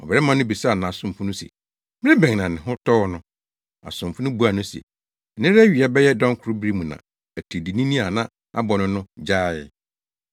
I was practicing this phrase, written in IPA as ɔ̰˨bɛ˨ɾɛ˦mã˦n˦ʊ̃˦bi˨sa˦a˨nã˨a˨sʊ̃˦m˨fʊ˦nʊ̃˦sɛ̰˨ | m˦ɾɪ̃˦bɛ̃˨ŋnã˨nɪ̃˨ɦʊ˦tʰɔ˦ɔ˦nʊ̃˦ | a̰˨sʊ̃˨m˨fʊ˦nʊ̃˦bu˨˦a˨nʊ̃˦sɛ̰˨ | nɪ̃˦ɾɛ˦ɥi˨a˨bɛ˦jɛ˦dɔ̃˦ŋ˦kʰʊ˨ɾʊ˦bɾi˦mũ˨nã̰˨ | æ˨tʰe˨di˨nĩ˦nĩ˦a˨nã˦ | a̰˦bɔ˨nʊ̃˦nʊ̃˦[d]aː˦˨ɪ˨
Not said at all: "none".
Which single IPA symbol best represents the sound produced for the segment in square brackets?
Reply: d͡ʑ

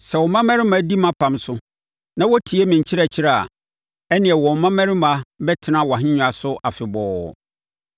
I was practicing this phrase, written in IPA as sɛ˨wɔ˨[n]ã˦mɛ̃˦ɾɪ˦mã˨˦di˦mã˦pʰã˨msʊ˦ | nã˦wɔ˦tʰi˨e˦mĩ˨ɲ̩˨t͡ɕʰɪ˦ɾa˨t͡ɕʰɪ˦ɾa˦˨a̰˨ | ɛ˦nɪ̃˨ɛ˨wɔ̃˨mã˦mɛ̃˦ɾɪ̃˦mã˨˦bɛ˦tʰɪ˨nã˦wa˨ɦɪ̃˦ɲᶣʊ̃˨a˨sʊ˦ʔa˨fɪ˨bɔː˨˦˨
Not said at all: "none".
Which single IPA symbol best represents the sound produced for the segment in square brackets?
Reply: m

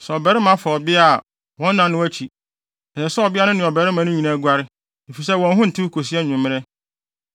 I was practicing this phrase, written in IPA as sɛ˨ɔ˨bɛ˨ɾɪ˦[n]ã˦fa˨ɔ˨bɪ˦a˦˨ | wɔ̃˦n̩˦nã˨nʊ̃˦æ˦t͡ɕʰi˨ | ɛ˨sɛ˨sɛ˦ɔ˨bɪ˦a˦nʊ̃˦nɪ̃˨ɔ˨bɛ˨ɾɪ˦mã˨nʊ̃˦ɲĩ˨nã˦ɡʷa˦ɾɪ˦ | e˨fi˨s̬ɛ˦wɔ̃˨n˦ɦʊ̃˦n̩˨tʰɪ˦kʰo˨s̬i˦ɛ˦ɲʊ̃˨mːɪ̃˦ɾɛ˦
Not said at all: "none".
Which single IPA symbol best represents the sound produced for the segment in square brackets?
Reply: m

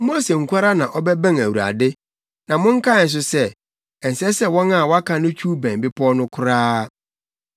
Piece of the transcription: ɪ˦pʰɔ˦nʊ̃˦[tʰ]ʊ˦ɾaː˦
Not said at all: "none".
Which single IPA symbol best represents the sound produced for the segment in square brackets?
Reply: kʰ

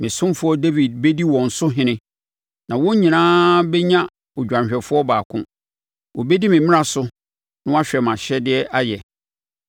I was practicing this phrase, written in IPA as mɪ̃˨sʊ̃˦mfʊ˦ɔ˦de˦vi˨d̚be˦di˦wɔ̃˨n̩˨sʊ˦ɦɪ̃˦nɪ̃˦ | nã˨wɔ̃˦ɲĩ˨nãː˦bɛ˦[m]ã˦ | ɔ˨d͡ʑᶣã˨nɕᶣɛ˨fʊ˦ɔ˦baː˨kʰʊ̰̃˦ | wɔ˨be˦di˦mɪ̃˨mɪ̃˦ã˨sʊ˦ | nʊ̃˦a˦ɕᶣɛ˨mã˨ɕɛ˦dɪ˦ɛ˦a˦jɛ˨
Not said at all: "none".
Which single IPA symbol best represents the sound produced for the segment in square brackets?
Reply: ɲ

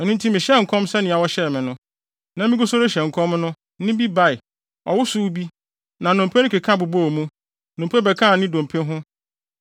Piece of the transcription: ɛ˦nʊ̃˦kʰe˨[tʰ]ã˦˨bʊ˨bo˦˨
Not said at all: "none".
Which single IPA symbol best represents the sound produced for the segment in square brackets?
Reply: kʰ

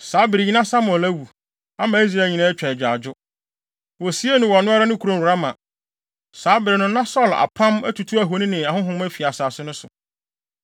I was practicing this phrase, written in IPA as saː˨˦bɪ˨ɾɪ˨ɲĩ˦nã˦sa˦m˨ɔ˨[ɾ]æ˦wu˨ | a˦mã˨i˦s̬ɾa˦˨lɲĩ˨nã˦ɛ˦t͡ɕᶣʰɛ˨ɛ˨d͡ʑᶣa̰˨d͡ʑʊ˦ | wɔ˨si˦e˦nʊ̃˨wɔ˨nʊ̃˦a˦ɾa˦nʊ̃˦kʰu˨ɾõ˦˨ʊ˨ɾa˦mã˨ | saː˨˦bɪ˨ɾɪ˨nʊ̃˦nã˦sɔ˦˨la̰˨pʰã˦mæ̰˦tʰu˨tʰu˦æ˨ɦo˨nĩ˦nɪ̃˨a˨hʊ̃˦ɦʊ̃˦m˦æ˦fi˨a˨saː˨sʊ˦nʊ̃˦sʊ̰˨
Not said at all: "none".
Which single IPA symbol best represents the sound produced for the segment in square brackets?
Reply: l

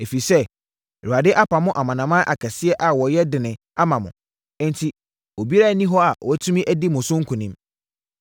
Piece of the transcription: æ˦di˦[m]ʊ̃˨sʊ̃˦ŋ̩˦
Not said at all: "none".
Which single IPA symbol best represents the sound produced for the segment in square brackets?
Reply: m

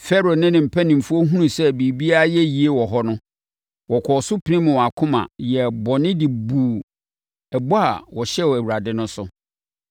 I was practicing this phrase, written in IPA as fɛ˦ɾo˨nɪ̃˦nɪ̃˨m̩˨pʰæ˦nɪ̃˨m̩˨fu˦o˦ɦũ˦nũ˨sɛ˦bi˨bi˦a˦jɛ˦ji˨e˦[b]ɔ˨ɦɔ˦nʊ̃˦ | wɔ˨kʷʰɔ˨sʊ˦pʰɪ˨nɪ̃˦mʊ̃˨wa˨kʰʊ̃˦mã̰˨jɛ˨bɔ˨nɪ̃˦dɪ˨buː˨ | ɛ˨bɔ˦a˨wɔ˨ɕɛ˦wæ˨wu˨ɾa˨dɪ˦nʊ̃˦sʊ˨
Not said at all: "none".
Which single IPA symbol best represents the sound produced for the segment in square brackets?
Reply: w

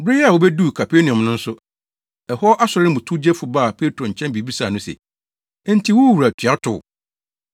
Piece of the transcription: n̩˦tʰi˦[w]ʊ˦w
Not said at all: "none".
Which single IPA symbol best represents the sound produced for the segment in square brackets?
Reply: w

